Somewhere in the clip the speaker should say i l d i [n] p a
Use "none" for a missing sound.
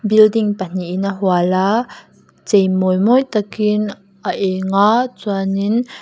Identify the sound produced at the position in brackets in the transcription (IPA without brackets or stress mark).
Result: ŋ